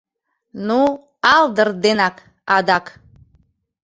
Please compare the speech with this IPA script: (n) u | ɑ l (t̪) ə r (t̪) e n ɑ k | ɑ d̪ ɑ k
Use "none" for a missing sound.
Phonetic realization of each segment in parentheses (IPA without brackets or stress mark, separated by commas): n, d̪, d̪